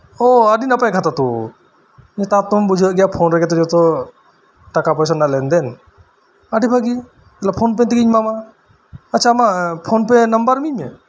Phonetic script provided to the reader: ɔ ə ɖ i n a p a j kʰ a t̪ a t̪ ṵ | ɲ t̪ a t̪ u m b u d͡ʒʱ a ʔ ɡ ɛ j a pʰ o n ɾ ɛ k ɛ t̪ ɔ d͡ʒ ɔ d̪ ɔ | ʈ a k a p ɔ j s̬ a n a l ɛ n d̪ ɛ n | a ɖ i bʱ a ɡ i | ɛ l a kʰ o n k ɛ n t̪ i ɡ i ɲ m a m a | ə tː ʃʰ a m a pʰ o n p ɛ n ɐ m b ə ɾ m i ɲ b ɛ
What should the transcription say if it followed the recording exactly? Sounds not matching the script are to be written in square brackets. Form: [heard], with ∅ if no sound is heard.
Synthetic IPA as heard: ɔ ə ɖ i n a p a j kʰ a t̪ a t̪ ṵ | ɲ t̪ a t̪ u m b u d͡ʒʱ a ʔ ɡ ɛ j a pʰ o n ɾ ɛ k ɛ t̪ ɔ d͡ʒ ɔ [t̪] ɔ | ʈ a k a p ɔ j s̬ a n a l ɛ n d̪ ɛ n | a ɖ i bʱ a ɡ i | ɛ l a [pʰ] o n [p] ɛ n t̪ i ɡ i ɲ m a m a | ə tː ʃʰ a m a pʰ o n p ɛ n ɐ m b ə ɾ m i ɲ [m] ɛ